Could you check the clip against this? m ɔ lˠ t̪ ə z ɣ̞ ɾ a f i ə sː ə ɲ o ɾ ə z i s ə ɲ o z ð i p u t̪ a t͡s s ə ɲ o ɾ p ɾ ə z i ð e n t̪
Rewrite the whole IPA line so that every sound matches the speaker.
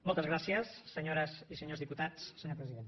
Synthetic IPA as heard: m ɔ lˠ t̪ ə z ɣ̞ ɾ a s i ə sː ə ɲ o ɾ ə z i s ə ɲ o z ð i p u t̪ a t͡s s ə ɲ o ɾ p ɾ ə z i ð e n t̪